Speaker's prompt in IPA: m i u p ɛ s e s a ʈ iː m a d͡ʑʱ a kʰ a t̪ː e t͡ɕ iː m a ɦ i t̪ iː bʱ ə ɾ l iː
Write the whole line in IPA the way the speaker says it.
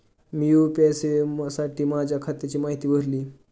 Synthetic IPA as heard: m i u p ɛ s e s a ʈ iː m a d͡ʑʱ a kʰ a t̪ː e t͡ɕ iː m a ɦ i t̪ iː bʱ ə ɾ l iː